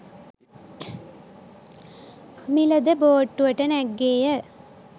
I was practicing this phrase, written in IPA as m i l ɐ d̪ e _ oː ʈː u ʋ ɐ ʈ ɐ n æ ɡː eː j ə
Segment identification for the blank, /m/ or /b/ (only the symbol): b